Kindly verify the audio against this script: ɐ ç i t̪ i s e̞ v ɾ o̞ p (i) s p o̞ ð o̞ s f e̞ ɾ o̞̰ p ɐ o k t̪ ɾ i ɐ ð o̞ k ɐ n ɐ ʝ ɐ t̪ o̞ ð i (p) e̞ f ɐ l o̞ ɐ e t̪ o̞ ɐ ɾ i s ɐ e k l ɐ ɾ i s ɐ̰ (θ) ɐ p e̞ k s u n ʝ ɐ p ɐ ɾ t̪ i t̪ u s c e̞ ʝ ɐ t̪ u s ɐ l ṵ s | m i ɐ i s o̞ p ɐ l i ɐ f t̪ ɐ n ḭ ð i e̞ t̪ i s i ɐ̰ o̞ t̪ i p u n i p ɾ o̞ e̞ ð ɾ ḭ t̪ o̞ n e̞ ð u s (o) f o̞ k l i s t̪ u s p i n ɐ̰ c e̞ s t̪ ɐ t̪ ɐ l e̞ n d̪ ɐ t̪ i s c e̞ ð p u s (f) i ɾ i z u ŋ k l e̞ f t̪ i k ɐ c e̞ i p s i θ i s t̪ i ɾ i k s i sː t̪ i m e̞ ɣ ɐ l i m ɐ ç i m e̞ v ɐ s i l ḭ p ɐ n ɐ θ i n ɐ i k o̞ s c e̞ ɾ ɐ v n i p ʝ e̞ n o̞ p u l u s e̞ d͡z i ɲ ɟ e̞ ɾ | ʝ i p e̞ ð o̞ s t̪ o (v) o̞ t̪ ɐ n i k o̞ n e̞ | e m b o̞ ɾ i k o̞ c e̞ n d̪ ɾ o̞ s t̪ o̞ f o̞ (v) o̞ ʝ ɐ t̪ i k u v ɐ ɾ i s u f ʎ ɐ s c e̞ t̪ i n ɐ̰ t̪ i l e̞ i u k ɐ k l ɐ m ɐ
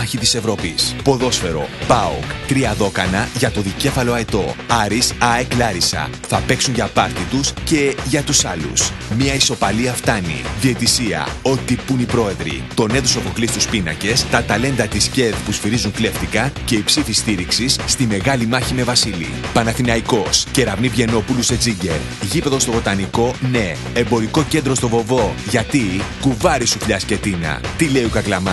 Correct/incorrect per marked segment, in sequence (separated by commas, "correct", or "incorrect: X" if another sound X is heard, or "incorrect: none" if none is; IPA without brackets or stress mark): correct, incorrect: c, correct, correct, correct, correct, correct